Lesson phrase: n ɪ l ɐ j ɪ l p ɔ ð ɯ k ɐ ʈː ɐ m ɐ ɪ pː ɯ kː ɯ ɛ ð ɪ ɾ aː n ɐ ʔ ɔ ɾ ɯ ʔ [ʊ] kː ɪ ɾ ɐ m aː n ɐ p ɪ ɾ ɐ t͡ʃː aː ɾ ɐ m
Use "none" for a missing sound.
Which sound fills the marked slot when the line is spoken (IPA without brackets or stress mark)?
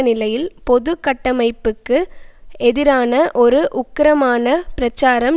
ʊ